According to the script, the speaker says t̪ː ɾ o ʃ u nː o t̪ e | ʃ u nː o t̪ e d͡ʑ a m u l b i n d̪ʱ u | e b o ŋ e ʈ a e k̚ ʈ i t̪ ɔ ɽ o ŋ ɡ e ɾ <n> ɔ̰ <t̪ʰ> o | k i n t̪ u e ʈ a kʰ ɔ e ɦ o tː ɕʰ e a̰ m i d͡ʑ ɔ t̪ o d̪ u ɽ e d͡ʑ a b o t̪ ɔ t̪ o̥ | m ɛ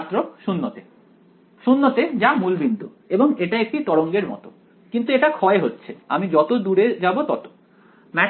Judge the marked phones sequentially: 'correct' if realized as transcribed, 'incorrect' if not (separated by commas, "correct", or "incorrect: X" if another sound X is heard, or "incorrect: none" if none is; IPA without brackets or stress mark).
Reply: incorrect: m, incorrect: t̪